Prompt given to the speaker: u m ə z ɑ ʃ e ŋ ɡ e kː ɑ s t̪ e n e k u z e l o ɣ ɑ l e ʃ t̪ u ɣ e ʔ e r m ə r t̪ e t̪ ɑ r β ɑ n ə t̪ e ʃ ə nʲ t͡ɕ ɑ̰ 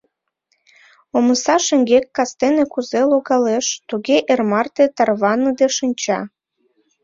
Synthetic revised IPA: o m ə s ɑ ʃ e ŋ ɡ e kː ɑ s t̪ e n e k u z e l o ɣ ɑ l e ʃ t̪ u ɣ e ʔ e r m ɑ r t̪ e t̪ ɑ r β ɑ n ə d̪ e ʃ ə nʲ t͡ɕ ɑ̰